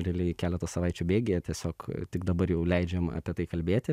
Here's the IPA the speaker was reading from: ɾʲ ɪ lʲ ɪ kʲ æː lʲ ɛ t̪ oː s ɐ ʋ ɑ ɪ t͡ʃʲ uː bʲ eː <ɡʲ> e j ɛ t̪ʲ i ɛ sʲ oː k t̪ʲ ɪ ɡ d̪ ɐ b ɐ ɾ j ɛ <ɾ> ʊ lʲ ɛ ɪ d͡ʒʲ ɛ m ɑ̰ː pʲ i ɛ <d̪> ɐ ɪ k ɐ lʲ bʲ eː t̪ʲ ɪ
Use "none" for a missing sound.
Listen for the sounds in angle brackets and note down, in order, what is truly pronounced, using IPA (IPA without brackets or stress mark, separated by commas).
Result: ɡʲ, none, t̪